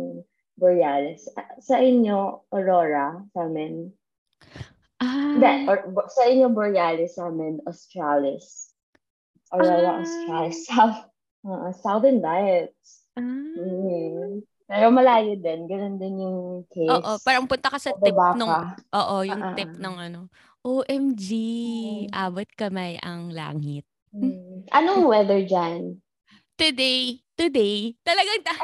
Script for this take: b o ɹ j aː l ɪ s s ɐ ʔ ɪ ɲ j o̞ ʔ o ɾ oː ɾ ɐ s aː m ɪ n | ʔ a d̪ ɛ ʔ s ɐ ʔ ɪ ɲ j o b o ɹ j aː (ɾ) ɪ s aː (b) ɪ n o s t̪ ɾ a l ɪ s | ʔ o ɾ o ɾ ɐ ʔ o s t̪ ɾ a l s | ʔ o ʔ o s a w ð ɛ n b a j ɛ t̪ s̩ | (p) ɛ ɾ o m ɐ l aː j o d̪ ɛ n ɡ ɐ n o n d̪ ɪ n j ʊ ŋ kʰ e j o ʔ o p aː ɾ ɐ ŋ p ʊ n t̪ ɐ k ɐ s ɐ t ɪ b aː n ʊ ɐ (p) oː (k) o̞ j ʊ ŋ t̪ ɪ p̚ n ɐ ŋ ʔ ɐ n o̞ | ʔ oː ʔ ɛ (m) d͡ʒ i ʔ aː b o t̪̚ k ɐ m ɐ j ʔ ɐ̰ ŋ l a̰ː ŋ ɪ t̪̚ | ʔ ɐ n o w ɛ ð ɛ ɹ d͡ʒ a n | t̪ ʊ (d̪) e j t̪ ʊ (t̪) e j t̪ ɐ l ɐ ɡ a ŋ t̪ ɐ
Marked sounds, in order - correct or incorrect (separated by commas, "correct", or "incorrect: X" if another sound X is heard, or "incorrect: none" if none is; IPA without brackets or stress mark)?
incorrect: l, incorrect: m, correct, incorrect: ʔ, incorrect: ʔ, correct, correct, incorrect: d̪